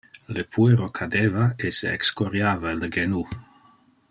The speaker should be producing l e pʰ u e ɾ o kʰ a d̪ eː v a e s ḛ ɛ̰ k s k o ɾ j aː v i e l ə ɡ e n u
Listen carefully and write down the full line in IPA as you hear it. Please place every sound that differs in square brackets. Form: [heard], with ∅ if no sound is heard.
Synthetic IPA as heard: l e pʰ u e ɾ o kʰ a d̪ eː v a e s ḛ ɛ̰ k s k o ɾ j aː v [a] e l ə ɡ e n u